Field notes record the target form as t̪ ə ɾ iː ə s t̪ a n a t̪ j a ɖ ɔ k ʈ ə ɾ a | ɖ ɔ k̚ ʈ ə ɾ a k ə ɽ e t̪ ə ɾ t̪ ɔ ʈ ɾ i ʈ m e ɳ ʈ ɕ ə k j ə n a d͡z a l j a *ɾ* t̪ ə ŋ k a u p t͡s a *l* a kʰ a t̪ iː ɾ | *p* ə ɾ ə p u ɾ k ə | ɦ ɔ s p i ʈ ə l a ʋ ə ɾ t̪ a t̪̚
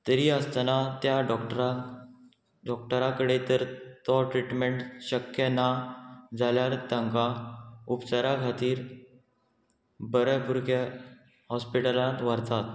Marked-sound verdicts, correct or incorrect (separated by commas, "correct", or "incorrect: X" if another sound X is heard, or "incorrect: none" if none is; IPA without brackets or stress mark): correct, incorrect: ɾ, incorrect: b